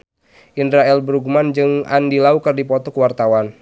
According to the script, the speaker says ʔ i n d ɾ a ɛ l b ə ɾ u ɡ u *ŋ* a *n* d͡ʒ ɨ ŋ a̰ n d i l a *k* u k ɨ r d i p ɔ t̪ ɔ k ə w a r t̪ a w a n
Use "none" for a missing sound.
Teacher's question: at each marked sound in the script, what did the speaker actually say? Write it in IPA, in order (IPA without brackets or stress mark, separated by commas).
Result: m, n, none